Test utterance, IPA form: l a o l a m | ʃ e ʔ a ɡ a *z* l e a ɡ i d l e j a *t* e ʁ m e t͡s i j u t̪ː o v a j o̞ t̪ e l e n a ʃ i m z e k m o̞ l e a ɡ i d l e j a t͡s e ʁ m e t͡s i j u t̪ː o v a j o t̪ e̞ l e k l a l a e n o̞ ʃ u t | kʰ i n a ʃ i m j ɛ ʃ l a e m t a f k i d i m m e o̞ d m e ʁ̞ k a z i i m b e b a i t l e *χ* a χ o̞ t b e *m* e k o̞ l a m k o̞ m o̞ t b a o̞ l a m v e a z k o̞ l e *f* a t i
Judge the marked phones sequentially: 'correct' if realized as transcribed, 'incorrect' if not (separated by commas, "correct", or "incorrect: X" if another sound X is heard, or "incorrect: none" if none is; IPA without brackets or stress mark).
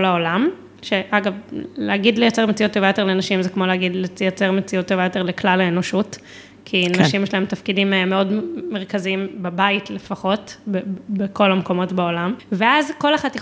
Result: incorrect: v, incorrect: t͡s, incorrect: f, incorrect: b, incorrect: χ